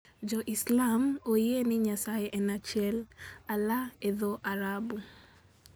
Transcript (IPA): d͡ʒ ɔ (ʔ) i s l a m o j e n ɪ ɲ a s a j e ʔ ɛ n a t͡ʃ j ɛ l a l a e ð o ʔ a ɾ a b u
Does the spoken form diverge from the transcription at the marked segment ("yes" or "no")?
no